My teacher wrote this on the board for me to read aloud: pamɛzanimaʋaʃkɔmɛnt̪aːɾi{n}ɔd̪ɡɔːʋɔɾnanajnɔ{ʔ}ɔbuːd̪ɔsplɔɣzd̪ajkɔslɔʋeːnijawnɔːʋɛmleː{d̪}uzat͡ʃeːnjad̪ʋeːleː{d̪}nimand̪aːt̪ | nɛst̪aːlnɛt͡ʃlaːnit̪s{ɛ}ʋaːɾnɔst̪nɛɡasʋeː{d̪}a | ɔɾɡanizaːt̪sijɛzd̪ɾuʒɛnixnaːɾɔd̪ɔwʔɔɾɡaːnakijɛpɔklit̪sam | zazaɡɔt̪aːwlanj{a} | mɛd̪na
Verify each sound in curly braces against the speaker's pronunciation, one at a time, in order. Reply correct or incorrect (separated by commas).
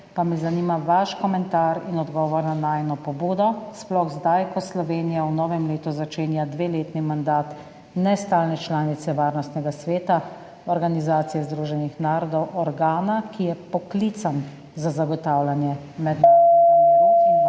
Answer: correct, incorrect, incorrect, incorrect, correct, incorrect, incorrect